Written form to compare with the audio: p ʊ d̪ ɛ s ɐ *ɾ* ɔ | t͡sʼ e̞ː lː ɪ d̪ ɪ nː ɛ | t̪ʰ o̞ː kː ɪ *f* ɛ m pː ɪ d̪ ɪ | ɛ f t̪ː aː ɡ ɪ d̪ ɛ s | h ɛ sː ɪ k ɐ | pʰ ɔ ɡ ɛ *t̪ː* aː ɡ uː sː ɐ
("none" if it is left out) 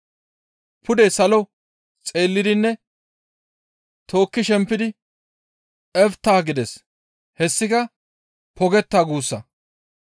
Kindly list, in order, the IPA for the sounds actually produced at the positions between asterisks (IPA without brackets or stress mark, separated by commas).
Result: l, ʃ, t̪ː